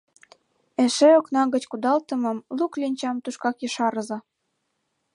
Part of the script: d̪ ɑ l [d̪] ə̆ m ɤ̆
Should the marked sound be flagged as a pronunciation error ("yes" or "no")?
yes